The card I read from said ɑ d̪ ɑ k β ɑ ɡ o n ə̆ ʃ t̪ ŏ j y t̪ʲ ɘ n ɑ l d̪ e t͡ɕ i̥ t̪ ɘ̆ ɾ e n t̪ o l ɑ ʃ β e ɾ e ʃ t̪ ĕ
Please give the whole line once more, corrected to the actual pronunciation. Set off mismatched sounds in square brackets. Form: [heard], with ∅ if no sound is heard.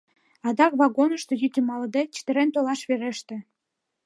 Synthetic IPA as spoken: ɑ d̪ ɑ k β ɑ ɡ o n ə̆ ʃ t̪ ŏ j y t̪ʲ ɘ [m] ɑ l d̪ e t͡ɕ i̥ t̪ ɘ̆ ɾ e n t̪ o l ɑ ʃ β e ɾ e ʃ t̪ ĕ